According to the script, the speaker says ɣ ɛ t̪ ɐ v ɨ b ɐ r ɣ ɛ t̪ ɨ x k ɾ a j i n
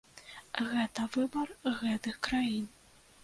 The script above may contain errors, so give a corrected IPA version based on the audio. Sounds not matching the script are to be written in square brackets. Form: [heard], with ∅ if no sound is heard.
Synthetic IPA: ɣ ɛ t̪ ɐ v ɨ b ɐ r ɣ ɛ t̪ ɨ x k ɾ a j i n